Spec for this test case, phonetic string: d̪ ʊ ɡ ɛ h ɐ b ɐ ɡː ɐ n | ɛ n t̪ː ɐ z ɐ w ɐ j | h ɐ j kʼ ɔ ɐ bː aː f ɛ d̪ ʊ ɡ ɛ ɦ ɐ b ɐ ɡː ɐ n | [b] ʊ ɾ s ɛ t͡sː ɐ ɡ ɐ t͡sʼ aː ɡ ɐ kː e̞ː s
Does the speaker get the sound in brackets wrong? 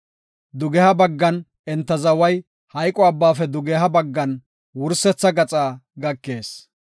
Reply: yes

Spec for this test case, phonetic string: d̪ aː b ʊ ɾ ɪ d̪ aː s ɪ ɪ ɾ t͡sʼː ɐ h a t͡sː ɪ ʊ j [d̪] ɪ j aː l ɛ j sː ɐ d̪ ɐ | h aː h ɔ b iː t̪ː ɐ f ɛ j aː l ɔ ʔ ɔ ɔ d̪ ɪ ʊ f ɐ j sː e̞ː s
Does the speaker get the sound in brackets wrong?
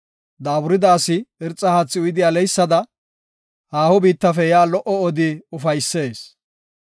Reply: no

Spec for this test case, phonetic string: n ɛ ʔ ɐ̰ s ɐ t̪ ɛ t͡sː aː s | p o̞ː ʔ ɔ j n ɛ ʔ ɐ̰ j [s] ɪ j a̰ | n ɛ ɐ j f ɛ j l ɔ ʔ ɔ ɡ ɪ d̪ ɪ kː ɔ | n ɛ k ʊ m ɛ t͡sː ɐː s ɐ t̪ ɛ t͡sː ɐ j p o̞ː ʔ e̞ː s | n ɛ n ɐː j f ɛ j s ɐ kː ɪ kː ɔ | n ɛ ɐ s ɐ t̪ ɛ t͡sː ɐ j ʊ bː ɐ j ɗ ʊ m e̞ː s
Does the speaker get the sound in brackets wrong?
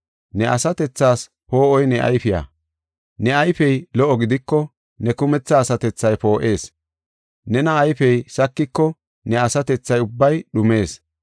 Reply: yes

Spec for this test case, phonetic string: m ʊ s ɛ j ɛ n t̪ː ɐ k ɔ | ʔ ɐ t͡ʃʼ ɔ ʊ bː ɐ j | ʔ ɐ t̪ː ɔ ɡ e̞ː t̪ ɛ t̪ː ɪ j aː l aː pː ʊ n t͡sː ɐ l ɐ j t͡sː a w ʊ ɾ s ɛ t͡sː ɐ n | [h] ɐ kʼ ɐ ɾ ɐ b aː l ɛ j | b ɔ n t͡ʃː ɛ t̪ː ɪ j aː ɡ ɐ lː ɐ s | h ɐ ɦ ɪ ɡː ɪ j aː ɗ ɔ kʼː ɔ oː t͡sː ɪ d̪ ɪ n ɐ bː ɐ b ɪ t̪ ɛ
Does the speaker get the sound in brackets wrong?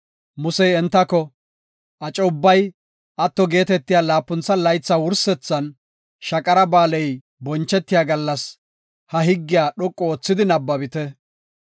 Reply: yes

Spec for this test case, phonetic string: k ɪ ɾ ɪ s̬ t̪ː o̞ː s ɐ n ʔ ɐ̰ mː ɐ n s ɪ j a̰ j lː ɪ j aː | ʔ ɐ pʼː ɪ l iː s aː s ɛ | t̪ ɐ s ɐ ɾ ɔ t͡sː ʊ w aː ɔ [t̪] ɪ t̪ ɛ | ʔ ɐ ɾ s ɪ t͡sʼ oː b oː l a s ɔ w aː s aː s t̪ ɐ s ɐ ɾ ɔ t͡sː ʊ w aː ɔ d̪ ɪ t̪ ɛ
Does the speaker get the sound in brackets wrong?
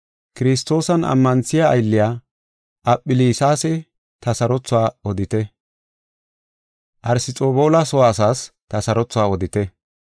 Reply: yes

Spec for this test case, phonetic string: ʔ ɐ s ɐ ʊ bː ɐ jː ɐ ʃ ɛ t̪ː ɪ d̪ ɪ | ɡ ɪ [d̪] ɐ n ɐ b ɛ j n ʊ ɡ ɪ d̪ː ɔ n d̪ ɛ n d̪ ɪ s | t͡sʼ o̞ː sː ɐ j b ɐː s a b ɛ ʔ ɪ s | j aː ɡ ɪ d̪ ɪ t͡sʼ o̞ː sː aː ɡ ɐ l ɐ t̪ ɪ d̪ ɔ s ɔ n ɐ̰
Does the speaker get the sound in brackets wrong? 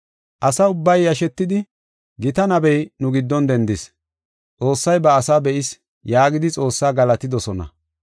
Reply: yes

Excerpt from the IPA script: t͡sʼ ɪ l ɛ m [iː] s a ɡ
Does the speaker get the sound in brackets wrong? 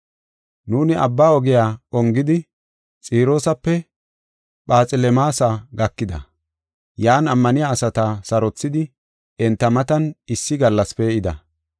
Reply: yes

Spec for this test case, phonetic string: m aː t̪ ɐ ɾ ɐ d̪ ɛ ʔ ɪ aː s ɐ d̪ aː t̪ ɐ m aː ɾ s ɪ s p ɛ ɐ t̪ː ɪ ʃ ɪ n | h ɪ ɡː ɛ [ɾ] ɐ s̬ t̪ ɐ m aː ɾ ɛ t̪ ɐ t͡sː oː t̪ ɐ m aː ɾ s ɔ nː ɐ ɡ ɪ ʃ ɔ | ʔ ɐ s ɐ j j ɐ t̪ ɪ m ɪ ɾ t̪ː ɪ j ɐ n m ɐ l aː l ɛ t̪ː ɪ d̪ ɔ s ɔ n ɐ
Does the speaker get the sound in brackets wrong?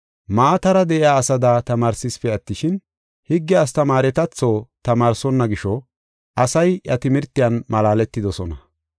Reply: yes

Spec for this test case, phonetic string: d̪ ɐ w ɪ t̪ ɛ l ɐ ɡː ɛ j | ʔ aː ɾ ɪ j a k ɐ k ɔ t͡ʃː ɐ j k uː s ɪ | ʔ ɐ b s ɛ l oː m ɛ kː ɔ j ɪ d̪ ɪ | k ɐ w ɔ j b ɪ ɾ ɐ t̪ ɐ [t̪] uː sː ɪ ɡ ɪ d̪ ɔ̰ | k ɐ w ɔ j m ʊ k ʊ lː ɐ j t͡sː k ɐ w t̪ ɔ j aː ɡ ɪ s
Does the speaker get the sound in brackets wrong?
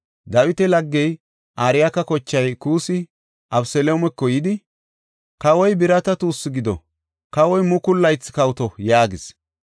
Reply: no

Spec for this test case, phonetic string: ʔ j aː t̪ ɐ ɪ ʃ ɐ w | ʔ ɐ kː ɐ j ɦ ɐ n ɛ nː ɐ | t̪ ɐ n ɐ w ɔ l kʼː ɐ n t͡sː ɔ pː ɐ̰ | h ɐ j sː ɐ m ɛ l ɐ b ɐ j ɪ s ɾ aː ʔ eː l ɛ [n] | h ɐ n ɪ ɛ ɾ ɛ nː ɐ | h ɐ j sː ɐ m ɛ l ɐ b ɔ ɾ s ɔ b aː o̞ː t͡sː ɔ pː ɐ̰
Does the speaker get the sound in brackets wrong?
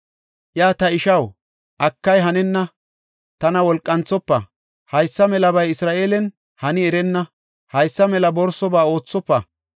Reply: no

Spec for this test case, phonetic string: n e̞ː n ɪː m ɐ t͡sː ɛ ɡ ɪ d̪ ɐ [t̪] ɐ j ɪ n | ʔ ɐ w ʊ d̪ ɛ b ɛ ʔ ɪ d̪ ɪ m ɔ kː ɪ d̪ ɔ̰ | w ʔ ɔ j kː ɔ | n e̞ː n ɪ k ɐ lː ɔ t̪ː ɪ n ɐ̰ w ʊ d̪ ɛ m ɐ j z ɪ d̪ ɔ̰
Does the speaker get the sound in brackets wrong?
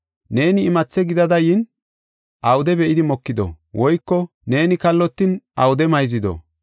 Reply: yes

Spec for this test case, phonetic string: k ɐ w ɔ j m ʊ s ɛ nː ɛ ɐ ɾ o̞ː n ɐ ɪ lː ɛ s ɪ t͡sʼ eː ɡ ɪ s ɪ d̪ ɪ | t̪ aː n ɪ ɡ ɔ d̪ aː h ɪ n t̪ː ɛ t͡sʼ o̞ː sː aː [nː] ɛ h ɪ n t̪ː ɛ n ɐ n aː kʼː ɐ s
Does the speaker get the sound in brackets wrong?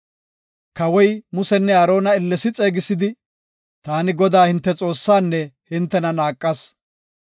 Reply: no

